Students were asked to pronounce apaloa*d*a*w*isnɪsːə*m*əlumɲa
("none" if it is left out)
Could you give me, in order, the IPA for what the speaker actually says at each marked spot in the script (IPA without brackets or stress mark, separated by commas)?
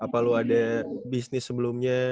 d, b, b